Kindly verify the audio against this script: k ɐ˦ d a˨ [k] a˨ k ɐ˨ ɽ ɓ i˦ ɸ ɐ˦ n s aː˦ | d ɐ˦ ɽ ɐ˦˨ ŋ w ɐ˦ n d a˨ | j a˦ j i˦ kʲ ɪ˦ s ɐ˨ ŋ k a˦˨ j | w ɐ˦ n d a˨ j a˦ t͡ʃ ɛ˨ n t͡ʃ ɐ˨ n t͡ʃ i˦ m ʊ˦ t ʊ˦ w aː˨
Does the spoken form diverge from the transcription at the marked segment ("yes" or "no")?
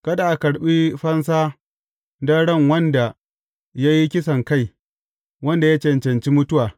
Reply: yes